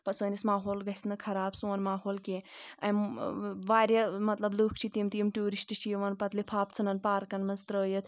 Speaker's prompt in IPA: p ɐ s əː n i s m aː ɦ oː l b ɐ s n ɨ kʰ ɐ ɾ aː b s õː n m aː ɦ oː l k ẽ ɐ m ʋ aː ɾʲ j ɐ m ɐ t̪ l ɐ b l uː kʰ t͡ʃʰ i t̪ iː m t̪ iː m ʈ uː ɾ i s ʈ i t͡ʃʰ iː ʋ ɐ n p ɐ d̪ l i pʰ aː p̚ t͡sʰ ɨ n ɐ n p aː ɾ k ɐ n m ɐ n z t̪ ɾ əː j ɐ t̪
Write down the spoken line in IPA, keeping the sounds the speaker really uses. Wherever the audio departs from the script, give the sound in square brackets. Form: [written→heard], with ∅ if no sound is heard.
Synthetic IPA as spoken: p ɐ s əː n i s m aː ɦ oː l [b→ɡ] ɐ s n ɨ kʰ ɐ ɾ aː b s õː n m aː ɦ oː l k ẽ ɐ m ʋ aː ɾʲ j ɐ m ɐ t̪ l ɐ b l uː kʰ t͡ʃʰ i t̪ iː m t̪ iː m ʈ uː ɾ i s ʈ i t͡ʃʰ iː ʋ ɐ n p ɐ [d̪→t̪] l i pʰ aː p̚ t͡sʰ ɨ n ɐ n p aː ɾ k ɐ n m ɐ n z t̪ ɾ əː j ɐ t̪